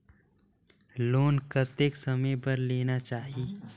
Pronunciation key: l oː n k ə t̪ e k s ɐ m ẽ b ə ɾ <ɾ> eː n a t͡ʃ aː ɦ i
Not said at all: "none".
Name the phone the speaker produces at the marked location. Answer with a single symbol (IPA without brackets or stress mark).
l